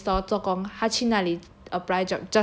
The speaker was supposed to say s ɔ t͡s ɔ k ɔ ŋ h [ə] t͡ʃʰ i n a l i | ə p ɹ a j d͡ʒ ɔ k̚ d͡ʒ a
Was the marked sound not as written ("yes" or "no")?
yes